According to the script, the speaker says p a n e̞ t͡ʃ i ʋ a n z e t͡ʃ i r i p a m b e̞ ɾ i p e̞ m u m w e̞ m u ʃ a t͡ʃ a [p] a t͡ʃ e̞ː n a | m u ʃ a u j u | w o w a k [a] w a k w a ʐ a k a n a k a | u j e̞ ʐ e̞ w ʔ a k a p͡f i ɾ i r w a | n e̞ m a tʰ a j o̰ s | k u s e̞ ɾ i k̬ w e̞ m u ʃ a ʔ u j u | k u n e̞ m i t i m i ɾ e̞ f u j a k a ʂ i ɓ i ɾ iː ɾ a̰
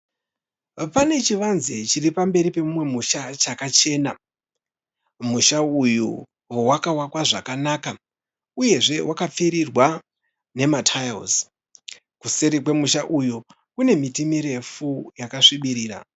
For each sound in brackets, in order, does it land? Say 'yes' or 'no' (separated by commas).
no, yes